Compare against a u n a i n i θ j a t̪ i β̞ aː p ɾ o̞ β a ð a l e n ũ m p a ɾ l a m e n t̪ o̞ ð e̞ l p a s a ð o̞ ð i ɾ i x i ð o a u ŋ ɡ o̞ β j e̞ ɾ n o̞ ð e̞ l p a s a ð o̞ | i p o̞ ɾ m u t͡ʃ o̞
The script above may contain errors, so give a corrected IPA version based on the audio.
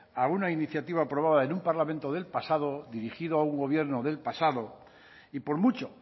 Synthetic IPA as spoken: a u n a i n i θ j a t̪ i β̞ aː p ɾ o̞ β a ð a e n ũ m p a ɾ l a m e n t̪ o̞ ð e̞ l p a s a ð o̞ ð i ɾ i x i ð o a u ŋ ɡ o̞ β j e̞ ɾ n o̞ ð e̞ l p a s a ð o̞ | i p o̞ ɾ m u t͡ʃ o̞